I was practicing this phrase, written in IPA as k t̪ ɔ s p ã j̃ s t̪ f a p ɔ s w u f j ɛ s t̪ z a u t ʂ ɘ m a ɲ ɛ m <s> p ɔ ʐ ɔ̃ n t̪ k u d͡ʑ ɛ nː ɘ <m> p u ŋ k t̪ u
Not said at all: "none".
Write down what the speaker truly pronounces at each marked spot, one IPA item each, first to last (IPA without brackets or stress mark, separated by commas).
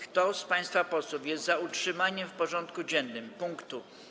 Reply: f, m